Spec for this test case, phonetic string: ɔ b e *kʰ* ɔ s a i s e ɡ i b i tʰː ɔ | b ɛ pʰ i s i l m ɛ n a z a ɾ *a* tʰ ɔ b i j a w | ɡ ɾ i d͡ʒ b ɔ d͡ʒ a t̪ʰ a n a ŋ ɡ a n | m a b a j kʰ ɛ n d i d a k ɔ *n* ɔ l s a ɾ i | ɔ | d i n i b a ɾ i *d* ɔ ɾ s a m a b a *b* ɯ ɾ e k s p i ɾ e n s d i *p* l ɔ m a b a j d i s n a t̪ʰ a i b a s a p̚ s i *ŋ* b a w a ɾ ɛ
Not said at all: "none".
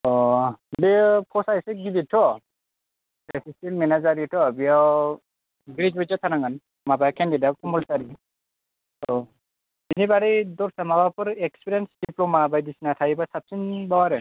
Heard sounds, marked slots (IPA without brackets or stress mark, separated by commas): pʰ, i, m, d, p, p, n